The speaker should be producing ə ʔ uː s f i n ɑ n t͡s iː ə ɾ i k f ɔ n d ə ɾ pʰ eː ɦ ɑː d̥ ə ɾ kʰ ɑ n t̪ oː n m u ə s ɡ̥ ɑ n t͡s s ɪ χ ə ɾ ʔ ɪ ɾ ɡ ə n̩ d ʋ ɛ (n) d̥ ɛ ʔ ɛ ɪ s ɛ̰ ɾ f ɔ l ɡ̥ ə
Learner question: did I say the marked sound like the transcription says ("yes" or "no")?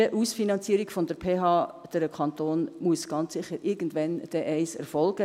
yes